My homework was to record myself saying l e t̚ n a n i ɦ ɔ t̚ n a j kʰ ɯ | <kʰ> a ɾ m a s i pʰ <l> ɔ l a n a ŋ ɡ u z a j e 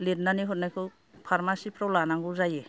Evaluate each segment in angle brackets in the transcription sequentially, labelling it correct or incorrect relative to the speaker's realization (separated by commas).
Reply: incorrect, incorrect